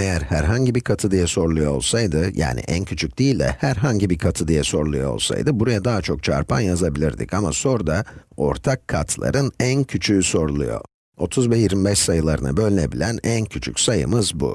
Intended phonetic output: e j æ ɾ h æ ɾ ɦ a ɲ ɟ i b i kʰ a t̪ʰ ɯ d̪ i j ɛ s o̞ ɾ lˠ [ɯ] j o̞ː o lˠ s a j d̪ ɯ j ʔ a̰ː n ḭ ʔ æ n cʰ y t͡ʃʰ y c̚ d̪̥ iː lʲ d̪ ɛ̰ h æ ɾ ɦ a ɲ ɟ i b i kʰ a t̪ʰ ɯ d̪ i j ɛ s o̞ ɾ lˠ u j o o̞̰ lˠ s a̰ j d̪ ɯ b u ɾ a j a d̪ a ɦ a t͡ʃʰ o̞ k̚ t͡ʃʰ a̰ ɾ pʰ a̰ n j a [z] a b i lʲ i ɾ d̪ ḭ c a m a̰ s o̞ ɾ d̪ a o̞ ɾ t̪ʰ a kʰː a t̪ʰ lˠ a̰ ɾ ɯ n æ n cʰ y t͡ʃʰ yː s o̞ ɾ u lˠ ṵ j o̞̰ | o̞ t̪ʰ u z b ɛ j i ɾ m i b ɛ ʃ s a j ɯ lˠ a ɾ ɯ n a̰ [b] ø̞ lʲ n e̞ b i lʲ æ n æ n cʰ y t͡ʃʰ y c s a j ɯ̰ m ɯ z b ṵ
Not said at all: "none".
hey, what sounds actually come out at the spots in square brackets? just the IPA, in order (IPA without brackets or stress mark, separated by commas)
u, z, b